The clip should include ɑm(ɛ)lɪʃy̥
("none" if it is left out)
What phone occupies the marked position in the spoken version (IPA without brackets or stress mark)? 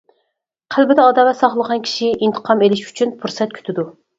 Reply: e